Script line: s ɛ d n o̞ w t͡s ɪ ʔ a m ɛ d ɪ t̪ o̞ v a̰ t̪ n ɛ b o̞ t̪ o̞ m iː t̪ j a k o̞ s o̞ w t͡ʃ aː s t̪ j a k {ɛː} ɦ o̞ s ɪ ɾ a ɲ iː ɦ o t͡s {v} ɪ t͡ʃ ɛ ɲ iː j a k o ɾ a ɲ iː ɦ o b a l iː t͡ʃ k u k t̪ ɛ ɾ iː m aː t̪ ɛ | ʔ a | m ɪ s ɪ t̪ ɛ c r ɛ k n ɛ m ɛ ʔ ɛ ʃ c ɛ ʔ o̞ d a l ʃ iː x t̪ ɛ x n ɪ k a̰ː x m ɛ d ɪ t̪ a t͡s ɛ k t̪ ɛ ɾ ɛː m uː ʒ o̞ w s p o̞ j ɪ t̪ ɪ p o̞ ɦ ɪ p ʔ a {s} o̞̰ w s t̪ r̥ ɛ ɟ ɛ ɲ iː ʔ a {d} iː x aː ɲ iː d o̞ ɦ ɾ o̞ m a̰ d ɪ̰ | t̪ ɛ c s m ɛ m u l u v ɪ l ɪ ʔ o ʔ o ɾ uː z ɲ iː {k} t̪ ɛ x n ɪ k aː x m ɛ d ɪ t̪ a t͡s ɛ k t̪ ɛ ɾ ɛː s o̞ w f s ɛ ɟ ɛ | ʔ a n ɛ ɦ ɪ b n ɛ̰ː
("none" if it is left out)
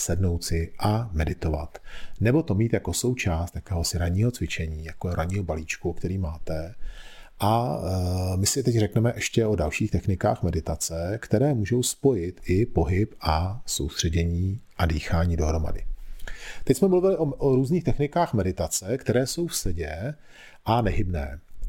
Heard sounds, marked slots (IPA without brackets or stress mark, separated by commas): ɛː, v, s, d, x